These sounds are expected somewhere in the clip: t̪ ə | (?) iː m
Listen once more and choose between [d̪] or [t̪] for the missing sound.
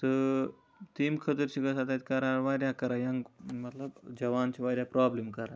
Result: t̪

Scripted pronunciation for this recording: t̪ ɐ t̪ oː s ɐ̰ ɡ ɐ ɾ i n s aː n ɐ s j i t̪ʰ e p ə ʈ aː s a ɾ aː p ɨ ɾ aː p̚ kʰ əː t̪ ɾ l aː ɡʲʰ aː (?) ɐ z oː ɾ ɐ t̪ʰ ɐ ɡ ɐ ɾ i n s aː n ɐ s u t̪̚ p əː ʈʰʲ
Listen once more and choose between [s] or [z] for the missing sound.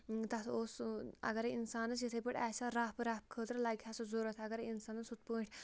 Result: s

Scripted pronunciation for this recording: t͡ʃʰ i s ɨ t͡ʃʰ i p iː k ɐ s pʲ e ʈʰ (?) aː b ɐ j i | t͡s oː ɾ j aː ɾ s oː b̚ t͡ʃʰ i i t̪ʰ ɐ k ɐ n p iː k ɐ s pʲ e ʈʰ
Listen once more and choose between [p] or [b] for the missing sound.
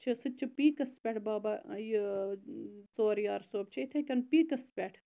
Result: b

